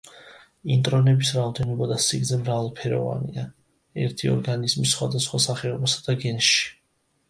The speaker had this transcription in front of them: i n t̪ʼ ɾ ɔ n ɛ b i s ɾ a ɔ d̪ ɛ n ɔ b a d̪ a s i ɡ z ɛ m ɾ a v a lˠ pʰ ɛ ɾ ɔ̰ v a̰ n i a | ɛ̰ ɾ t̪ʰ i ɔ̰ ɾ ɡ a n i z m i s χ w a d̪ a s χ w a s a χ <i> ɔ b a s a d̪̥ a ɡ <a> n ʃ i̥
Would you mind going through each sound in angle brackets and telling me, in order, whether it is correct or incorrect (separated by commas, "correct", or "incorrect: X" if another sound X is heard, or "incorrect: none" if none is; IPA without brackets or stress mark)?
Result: incorrect: ɛ, incorrect: ɛ